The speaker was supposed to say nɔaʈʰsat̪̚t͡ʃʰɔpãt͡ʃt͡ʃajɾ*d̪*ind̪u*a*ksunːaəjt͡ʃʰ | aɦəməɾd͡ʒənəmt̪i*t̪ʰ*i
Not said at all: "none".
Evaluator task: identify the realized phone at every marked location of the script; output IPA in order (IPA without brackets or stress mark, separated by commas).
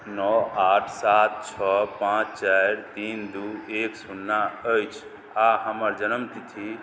t̪, e, t̪ʰ